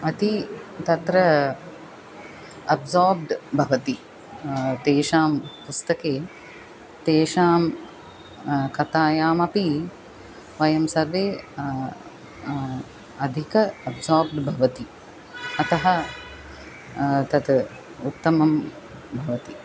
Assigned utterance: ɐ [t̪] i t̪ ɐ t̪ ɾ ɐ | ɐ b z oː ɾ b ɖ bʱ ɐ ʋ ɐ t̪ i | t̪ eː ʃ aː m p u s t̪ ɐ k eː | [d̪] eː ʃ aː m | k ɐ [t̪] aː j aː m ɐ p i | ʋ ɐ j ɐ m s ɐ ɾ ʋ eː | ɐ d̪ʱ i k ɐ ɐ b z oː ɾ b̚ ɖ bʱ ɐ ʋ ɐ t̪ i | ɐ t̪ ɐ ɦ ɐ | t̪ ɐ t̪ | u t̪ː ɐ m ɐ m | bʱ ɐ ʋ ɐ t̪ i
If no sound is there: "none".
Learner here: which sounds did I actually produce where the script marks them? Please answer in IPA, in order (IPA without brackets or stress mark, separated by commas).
t̪, t̪, t̪